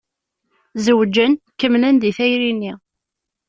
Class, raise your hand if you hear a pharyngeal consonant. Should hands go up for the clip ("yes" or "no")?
no